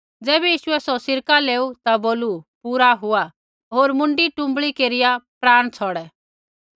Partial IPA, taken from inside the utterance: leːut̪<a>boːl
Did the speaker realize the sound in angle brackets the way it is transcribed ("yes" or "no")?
yes